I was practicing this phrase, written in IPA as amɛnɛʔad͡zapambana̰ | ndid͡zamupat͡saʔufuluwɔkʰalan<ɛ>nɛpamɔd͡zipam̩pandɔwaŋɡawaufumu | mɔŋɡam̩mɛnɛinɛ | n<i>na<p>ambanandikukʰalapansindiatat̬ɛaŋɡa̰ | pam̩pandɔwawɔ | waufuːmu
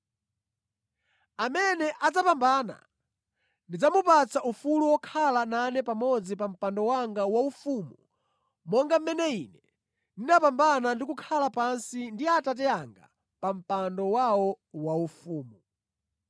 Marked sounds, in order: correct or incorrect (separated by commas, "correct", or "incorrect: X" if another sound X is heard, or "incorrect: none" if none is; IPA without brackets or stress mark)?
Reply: incorrect: a, correct, correct